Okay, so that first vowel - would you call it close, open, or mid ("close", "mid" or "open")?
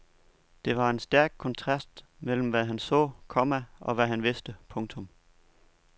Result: mid